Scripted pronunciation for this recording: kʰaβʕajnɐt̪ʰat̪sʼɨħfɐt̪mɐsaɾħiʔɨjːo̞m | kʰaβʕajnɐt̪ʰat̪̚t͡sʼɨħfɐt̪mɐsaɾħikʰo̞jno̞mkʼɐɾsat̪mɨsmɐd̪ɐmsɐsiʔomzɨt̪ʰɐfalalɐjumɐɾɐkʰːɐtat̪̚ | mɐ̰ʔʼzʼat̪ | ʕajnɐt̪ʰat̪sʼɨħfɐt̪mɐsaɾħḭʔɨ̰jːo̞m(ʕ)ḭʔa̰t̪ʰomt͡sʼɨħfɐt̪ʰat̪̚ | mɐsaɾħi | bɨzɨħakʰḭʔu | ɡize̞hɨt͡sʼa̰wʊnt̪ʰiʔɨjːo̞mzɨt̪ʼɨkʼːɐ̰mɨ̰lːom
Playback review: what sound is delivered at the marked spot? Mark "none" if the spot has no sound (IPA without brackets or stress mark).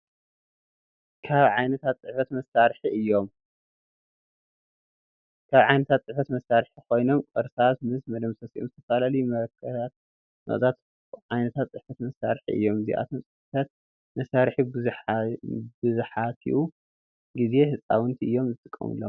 z